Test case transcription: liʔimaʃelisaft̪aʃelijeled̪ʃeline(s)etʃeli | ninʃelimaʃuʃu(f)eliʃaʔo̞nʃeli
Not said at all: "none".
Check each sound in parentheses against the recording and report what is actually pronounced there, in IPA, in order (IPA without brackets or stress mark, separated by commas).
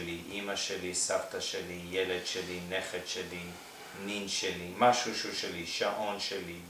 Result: χ, ʃ